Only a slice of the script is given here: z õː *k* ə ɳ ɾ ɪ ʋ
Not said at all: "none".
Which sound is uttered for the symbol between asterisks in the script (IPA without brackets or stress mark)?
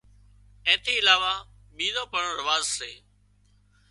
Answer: p